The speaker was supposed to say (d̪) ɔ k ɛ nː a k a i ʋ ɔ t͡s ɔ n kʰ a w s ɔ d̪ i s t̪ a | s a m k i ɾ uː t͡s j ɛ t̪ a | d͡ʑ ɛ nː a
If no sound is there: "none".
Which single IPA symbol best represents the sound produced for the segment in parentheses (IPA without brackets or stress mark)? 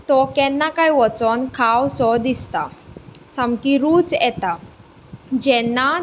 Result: t̪